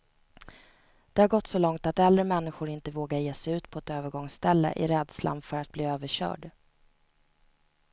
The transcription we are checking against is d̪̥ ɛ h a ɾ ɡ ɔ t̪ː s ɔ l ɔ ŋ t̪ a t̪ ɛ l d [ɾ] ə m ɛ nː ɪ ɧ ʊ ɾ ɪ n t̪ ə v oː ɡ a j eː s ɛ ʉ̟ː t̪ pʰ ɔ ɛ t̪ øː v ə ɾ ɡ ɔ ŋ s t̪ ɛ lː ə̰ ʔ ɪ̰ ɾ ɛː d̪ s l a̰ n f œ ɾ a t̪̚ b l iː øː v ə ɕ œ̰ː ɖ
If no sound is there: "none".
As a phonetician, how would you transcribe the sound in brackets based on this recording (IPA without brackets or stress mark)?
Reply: ɾ